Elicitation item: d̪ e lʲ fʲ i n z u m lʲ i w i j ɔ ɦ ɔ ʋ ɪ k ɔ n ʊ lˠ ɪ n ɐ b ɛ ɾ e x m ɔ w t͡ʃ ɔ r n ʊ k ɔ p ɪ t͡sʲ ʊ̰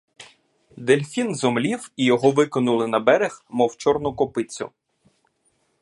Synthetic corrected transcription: d̪ e lʲ fʲ i n z ɔ m lʲ i w i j ɔ ɦ ɔ ʋ ɪ k ɔ n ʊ lˠ ɪ n ɐ b ɛ ɾ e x m ɔ w t͡ʃ ɔ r n ʊ k ɔ p ɪ t͡sʲ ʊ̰